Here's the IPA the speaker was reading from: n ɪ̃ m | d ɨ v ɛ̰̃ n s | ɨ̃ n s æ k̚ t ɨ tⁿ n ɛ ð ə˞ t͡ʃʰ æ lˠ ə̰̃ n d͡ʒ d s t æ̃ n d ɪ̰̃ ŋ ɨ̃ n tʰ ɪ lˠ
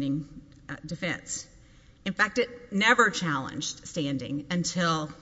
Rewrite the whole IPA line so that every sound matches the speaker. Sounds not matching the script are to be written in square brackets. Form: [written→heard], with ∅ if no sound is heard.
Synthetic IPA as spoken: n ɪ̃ [m→ŋ] | d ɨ [v→f] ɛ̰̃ n s | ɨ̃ n [s→f] æ k̚ t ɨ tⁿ n ɛ [ð→v] ə˞ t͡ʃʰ æ lˠ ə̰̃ n d͡ʒ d s t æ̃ n d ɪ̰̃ ŋ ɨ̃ n tʰ ɪ lˠ